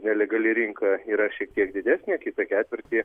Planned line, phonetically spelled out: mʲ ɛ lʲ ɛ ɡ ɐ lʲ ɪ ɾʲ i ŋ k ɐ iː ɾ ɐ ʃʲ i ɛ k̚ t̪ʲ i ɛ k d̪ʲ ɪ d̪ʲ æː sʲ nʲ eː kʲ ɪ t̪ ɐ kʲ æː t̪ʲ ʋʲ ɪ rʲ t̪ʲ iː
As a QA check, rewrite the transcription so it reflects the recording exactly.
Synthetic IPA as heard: nʲ ɛ lʲ ɛ ɡ ɐ lʲ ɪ ɾʲ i ŋ k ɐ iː ɾ ɐ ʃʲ i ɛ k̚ t̪ʲ i ɛ k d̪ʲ ɪ d̪ʲ æː sʲ nʲ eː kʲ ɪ t̪ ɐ kʲ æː t̪ʲ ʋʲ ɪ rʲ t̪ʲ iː